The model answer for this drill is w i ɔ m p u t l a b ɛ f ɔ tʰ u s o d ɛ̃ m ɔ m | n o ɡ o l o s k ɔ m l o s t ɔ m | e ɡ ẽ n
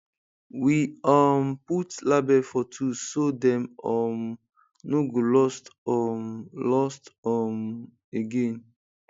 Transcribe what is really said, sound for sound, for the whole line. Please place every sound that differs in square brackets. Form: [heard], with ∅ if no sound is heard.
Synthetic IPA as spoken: w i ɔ m p u t l a b ɛ f ɔ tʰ u s o d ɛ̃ m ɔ m | n o ɡ o l [ɔ] s [t] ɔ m l [ɔ] s t ɔ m | e ɡ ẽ n